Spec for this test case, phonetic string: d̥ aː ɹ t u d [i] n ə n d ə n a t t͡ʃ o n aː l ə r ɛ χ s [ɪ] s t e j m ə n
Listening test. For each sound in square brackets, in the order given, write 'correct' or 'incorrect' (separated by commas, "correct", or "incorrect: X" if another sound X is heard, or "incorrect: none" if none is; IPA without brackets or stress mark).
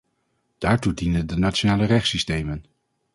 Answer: correct, incorrect: i